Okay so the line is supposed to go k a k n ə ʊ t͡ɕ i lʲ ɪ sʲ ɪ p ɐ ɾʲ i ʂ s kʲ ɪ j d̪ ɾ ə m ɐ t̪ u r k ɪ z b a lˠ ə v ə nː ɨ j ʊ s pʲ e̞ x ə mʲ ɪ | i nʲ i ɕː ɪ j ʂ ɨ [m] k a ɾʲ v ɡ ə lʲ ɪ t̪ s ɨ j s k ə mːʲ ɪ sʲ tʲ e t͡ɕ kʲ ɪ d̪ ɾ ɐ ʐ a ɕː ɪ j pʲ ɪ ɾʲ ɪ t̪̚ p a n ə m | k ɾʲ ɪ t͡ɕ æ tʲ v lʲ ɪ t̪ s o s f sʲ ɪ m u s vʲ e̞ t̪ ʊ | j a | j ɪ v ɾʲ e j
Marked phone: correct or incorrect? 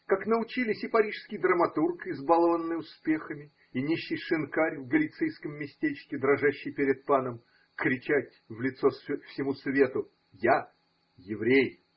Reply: incorrect: n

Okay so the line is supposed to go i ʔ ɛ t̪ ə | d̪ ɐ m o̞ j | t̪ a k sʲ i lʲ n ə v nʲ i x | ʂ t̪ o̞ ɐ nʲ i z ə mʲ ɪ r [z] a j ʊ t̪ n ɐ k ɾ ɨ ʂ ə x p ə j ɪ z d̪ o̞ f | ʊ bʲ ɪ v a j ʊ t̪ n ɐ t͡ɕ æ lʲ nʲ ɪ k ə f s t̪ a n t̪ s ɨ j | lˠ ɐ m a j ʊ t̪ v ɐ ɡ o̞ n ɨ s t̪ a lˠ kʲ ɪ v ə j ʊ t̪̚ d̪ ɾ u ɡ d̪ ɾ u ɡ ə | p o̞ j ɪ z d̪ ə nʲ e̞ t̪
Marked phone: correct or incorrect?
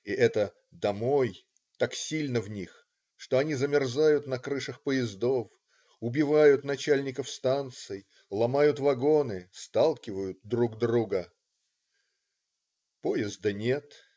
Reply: correct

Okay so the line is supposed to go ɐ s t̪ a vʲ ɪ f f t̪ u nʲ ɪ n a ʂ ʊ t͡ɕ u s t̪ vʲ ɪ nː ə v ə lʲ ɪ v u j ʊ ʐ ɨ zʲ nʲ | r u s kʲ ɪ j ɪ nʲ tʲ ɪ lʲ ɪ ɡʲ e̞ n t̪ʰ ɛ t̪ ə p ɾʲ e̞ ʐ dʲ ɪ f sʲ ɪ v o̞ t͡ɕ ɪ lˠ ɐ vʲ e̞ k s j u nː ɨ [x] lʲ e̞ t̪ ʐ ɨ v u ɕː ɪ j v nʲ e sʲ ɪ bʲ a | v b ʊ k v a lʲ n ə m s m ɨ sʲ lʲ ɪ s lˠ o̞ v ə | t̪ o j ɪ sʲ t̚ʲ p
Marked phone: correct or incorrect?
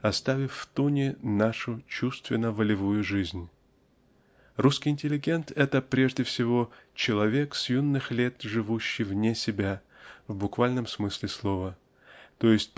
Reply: correct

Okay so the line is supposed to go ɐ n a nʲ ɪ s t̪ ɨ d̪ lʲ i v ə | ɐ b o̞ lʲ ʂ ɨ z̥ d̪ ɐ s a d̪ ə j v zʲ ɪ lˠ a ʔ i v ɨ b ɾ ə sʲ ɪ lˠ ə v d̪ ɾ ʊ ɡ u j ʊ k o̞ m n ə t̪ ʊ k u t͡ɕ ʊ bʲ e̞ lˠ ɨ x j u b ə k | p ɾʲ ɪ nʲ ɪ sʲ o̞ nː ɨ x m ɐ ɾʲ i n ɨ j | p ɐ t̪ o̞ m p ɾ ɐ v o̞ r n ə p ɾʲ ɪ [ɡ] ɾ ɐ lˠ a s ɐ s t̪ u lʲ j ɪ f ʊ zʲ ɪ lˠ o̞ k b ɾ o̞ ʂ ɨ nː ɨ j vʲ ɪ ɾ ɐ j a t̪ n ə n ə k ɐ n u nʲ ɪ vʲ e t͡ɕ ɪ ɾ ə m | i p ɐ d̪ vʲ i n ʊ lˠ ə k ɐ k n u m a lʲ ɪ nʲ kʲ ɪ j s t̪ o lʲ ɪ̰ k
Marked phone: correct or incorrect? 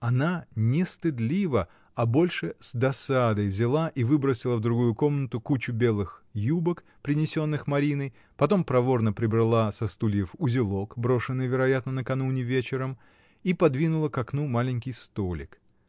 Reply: incorrect: b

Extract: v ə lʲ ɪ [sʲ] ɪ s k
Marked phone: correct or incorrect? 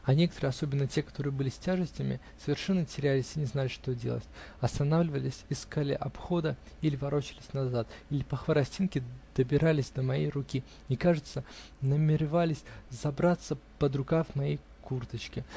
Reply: correct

